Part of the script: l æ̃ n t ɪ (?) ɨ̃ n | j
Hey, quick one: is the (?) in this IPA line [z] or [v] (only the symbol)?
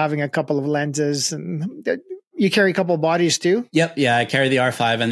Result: z